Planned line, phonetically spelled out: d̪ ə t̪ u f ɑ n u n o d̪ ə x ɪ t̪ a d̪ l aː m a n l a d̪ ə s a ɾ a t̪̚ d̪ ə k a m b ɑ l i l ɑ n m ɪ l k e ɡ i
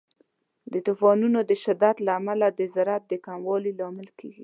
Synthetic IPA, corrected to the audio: d̪ ə t̪ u f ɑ n u n o d̪ ə ʃ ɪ d̪ a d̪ l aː m a l a d̪ ə z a ɾ a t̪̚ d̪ ə k a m w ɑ l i l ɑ m ɪ l k e ɡ i